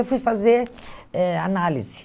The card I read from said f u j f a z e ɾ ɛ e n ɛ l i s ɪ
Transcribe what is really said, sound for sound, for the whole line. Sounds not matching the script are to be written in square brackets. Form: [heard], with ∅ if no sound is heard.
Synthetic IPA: f u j f a z e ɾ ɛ [a] n [a] l i [z] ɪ